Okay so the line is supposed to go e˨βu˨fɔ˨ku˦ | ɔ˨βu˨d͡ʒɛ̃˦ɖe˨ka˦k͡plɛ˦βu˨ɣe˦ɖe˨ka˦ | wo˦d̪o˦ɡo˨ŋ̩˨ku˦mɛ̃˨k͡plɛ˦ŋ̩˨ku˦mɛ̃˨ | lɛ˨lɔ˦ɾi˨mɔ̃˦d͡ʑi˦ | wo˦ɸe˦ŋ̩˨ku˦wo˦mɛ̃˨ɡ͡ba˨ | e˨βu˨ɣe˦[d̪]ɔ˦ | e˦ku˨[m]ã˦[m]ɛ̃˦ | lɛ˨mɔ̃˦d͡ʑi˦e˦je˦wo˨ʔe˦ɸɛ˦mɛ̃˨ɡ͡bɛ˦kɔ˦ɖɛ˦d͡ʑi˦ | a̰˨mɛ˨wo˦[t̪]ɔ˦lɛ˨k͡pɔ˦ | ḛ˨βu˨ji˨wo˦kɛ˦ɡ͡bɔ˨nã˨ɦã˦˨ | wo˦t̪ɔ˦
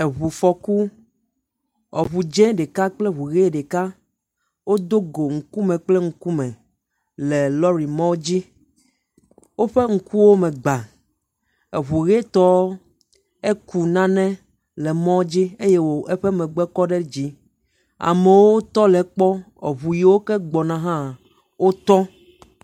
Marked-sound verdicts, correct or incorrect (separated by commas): incorrect, incorrect, incorrect, correct